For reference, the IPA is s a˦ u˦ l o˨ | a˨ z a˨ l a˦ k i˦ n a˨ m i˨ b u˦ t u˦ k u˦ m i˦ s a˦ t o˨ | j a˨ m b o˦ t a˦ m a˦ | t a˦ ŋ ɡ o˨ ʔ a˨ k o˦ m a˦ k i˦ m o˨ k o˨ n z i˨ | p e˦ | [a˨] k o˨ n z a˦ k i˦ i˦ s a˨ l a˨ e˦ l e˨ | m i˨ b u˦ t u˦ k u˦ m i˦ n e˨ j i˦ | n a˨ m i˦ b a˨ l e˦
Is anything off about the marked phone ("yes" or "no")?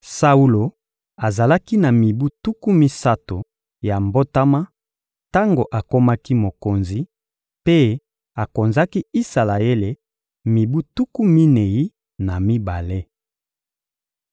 no